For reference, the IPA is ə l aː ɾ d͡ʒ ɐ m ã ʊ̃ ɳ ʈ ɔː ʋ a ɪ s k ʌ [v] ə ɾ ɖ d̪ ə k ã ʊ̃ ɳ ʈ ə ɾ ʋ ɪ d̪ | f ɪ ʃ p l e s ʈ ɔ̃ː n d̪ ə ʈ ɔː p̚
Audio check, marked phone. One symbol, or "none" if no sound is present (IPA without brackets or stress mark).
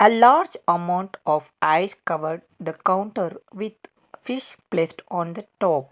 ʋ